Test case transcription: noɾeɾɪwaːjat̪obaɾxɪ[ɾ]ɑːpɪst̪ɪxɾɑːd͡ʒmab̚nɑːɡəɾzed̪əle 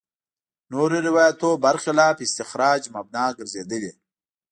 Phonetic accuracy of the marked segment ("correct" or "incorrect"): incorrect